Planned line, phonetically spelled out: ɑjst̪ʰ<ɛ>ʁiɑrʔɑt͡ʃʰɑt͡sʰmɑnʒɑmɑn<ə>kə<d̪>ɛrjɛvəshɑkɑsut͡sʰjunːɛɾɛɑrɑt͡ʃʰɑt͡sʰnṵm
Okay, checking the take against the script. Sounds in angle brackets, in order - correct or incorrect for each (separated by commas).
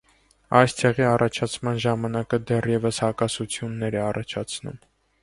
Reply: correct, incorrect, correct